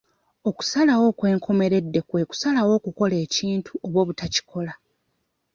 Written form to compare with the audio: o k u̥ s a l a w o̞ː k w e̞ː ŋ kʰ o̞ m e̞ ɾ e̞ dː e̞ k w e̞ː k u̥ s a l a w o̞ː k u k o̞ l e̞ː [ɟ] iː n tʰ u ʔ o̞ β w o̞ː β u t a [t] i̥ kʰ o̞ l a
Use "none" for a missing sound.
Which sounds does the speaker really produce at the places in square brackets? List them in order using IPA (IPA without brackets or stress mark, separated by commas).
c, c